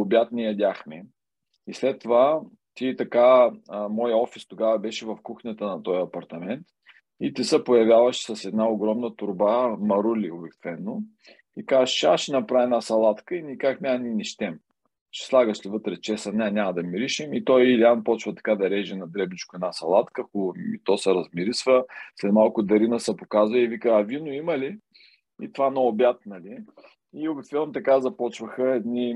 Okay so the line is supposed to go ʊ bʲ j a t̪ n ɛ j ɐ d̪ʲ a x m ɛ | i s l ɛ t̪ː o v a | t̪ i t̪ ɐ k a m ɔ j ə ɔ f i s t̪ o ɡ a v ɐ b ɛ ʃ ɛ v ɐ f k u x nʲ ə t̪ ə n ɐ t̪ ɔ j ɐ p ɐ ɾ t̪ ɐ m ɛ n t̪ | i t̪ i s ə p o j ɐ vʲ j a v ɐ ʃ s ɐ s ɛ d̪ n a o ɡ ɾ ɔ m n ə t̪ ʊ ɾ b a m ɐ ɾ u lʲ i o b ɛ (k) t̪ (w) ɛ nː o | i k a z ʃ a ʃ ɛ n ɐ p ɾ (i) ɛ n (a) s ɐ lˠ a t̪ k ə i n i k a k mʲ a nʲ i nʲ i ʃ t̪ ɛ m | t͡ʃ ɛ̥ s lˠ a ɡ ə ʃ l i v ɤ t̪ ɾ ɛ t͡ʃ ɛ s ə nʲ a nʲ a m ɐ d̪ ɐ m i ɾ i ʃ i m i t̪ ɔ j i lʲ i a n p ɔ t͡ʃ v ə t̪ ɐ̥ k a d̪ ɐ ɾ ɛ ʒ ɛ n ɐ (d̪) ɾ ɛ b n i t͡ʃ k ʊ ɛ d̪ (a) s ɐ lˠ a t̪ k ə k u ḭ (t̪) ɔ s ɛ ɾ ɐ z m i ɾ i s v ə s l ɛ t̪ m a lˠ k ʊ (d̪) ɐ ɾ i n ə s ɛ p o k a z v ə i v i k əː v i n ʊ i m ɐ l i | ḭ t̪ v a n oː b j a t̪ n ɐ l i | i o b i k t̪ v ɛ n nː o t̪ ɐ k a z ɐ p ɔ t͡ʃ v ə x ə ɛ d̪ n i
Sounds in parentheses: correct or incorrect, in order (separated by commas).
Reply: correct, incorrect, incorrect, correct, correct, correct, correct, correct